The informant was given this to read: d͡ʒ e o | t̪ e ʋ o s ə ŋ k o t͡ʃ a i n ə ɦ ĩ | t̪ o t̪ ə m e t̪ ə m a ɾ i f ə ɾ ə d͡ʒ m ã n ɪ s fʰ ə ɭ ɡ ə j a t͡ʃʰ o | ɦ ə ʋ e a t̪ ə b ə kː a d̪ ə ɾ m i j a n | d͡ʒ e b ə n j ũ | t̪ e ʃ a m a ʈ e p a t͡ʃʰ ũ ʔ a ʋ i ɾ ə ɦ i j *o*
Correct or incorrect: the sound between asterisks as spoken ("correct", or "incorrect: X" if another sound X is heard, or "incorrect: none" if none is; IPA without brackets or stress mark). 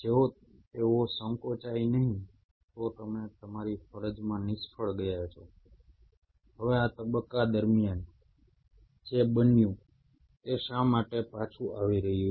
incorrect: u